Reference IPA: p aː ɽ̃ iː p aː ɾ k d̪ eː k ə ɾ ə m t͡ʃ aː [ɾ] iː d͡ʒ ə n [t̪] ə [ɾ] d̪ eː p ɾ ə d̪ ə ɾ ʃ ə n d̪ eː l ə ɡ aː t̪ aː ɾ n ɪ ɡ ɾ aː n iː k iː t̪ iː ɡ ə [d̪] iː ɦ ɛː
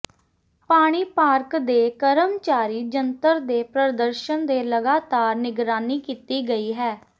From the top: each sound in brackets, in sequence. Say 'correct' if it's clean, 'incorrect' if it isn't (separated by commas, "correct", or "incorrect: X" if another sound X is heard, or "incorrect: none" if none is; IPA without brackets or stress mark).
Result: correct, correct, correct, incorrect: none